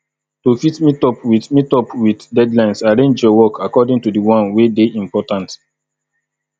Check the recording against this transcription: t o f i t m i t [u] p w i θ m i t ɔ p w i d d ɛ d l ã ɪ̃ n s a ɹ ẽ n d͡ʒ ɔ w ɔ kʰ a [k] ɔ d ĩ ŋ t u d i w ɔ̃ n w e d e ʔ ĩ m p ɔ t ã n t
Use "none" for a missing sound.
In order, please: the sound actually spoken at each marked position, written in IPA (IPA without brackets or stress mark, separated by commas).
ɔ, k